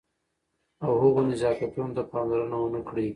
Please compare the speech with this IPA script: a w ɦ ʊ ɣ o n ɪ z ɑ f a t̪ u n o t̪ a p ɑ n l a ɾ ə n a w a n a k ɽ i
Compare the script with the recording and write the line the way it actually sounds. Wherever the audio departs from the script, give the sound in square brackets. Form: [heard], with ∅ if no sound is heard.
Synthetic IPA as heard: a w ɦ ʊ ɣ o n ɪ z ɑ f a t̪ u n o t̪ a p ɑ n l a ɾ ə n a w [ə] n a k ɽ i

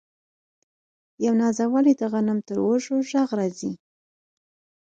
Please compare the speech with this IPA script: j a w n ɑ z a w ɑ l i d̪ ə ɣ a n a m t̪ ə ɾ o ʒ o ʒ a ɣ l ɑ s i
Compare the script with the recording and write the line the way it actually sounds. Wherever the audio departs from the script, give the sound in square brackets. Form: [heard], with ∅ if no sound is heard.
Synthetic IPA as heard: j a w n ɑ z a w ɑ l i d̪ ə ɣ a n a m t̪ ə ɾ o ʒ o ʒ a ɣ [ɾ] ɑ [z] i

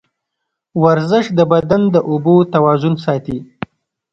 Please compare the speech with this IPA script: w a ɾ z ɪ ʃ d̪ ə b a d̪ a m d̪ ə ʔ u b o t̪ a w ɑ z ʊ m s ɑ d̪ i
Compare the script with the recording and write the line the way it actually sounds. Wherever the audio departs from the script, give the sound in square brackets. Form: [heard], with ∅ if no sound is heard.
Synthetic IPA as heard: w a ɾ z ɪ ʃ d̪ ə b a d̪ a [n] d̪ ə ʔ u b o t̪ a w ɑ z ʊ [n] s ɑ [t̪] i

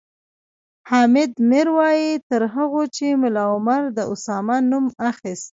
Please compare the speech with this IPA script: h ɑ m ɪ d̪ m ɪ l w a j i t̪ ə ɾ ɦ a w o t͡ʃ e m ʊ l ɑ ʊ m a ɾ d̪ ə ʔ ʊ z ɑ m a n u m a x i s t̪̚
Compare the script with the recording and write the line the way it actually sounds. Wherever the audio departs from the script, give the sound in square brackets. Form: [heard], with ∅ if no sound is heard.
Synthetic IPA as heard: h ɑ m ɪ d̪ m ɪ [ɾ] w [ɑ] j i t̪ ə ɾ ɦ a [ɣ] o t͡ʃ e m ʊ l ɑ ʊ m a ɾ d̪ ə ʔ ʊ [s] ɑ m a n u m a x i s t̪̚

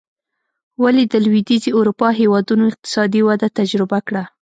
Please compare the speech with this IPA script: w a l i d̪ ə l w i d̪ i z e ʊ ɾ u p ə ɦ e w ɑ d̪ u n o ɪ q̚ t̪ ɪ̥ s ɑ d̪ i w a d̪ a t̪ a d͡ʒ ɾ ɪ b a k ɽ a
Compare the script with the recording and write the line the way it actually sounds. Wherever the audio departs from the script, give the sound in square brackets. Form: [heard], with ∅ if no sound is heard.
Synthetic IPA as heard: w a l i d̪ ə l w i d̪ i z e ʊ ɾ u p [ɑ] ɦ e w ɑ d̪ u n o ɪ q̚ t̪ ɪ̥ s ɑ d̪ i w a d̪ a t̪ a d͡ʒ ɾ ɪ b a k ɽ a

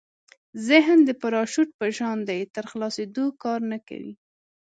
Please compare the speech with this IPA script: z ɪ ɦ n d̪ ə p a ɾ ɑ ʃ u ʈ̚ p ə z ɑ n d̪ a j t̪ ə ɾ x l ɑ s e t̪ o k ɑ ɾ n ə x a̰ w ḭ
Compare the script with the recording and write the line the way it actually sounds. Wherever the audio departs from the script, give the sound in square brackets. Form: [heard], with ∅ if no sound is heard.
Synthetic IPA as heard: z ɪ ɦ n d̪ ə p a ɾ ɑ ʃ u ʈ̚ p ə [ʒ] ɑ n d̪ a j t̪ ə ɾ x l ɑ s e [d̪] o k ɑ ɾ n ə [k] a̰ w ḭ

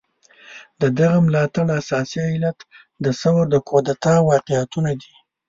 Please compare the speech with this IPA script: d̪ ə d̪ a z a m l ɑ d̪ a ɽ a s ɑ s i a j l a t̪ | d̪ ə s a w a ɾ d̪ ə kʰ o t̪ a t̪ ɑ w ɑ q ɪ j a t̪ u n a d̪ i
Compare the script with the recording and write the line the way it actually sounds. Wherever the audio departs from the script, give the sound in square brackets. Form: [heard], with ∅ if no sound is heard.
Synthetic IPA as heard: d̪ ə d̪ a [ɣ] a m l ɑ [t̪] a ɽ a s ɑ s i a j l a t̪ | d̪ ə s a w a ɾ d̪ ə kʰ o [d̪] a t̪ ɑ w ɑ q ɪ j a t̪ u n a d̪ i

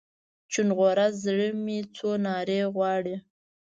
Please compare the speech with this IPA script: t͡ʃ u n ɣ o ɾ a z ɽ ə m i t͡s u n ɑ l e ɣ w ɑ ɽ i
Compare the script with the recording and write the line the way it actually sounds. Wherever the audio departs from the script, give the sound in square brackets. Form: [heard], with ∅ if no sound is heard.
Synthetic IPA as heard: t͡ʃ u n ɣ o ɾ a z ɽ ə m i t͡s [o] n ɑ [ɾ] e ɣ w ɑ ɽ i

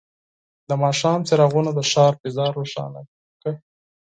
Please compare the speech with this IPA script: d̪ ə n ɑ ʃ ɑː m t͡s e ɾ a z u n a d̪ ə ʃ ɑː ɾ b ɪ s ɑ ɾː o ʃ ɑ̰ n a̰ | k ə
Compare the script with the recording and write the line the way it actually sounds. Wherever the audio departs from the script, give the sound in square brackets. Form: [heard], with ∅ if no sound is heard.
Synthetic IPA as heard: d̪ ə [m] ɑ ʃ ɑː m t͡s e ɾ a [ɣ] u n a d̪ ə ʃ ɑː ɾ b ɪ [z] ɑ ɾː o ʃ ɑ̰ n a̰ | k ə

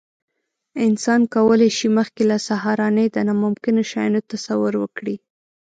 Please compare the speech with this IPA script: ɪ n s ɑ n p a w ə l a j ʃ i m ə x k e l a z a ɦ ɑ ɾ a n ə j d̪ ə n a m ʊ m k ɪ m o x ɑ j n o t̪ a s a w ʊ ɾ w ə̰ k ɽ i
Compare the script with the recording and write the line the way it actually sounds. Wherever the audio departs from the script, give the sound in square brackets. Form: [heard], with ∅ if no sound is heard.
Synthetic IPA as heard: ɪ n s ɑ n [k] a w ə l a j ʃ i m ə x k e l a [s] a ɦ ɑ ɾ [ɑ] n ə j d̪ ə n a m ʊ m k ɪ [n] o [ʃ] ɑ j n o t̪ a s a w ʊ ɾ w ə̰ k ɽ i

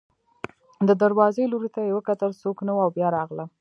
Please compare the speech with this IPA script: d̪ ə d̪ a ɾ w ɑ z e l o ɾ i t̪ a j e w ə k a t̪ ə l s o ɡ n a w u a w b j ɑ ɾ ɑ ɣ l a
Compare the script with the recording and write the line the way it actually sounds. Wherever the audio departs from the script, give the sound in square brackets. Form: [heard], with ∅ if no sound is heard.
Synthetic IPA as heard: d̪ ə d̪ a ɾ w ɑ z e l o ɾ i t̪ a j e w ə k a t̪ ə l s o [k] n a w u a w b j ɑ ɾ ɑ ɣ l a

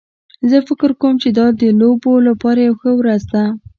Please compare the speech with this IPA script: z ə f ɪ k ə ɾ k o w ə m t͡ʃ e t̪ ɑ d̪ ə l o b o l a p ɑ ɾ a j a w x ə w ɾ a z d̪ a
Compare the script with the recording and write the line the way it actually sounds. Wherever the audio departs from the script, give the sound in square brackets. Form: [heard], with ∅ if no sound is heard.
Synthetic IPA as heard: z ə f ɪ k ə ɾ k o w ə m t͡ʃ e [d̪] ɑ d̪ ə l o b o l a p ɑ ɾ a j a w x ə w ɾ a z d̪ a

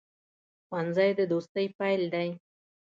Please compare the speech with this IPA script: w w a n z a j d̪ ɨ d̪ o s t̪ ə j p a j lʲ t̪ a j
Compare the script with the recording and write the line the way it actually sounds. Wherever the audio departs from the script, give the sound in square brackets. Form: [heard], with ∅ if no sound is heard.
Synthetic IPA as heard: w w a n z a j d̪ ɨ d̪ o s t̪ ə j p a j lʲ [d̪] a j

